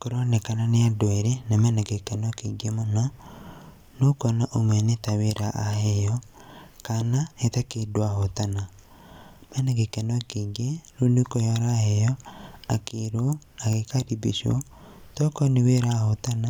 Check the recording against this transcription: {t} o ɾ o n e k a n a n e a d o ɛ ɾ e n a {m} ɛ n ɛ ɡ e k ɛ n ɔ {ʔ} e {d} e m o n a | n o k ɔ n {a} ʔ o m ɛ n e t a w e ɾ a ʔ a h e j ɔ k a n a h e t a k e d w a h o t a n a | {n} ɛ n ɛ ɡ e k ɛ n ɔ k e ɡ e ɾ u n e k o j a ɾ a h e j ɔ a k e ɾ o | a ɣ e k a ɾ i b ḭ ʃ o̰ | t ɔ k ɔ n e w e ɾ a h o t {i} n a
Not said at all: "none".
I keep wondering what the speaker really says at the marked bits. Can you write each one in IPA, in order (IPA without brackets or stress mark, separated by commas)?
k, m, k, ɡ, a, m, a